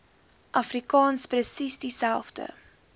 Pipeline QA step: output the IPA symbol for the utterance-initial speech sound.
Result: ʔ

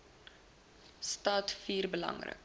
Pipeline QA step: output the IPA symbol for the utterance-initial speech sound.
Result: s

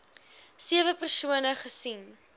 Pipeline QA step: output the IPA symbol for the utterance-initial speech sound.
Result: s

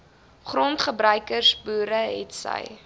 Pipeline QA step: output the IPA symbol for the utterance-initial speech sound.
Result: χ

